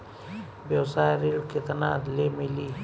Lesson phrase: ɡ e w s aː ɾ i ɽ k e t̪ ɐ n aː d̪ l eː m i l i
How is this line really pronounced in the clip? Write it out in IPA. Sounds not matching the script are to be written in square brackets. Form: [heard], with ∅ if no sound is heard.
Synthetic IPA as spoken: [b] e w s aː ɾ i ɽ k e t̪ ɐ n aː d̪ l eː m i l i